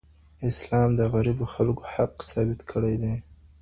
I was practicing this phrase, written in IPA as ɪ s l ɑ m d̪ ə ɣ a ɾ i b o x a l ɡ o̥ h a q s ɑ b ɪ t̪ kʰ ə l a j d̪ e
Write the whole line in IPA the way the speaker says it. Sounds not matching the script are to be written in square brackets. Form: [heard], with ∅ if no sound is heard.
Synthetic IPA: ɪ s l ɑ m d̪ ə ɣ a ɾ i b o x a l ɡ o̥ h a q s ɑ b ɪ t̪ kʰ ə [ɽ] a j d̪ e